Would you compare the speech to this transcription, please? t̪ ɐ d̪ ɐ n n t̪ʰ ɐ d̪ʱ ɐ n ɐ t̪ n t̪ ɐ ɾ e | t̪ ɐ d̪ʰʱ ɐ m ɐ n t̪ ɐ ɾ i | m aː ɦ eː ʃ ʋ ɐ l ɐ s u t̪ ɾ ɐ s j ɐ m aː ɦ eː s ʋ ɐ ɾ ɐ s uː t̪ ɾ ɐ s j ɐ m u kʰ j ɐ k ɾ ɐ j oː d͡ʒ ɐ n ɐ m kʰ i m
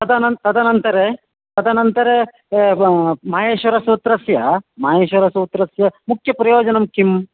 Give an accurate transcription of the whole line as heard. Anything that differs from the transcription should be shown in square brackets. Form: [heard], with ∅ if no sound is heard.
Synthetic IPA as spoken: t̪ ɐ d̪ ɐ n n [t̪] ɐ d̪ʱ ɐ n ɐ [∅] n t̪ ɐ ɾ e | t̪ ɐ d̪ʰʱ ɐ [n] ɐ n t̪ ɐ ɾ [e] | m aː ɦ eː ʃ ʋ ɐ [ɾ] ɐ s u t̪ ɾ ɐ s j ɐ m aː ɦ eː [ʃ] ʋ ɐ ɾ ɐ s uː t̪ ɾ ɐ s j ɐ m u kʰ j ɐ [p] ɾ ɐ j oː d͡ʒ ɐ n ɐ m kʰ i m